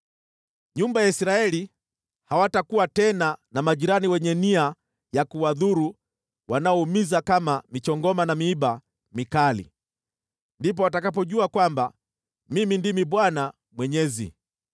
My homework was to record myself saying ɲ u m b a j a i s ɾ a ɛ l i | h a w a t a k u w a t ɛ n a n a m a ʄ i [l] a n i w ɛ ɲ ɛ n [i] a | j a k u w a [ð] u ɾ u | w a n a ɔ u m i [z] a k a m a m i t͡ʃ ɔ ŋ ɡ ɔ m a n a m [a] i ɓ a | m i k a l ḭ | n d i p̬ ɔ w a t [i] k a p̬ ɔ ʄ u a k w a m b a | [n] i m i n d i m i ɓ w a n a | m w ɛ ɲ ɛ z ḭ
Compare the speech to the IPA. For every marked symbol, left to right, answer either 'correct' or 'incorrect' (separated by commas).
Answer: incorrect, correct, correct, correct, incorrect, incorrect, incorrect